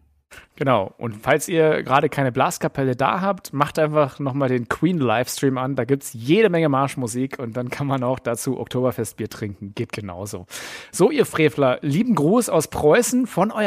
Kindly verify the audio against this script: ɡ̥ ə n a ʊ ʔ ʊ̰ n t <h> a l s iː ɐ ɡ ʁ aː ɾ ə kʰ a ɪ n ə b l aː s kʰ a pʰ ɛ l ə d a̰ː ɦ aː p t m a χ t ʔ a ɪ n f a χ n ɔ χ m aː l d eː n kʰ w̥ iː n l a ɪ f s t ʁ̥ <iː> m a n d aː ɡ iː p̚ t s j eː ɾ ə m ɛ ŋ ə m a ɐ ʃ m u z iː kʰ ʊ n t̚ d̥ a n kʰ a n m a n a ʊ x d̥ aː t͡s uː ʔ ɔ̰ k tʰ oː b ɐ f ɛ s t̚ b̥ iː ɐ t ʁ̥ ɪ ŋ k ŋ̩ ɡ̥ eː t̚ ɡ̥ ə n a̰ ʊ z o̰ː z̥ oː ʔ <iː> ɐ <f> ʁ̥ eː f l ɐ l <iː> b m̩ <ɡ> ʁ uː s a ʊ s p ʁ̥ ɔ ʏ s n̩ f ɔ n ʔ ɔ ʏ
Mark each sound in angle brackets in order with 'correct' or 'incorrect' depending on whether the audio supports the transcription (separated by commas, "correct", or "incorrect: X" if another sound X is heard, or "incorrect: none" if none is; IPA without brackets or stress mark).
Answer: incorrect: f, correct, correct, correct, correct, correct